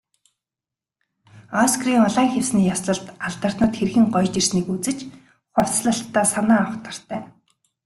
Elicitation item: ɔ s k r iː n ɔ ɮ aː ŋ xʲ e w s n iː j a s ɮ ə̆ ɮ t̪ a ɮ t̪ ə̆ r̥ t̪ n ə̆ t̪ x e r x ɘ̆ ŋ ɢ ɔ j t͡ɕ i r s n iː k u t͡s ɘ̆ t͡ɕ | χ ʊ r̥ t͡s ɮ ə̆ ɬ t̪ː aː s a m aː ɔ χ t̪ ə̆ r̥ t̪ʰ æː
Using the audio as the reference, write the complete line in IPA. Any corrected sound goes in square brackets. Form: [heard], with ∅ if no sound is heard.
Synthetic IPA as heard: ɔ s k r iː [ŋ] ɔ ɮ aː ŋ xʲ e w s n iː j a s ɮ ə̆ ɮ t̪ a ɮ t̪ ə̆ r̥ t̪ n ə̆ t̪ x e r x ɘ̆ ŋ ɢ ɔ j t͡ɕ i r s n iː k u t͡s ɘ̆ t͡ɕ | χ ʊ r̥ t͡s ɮ ə̆ ɬ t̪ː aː s a [n] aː ɔ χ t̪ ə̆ r̥ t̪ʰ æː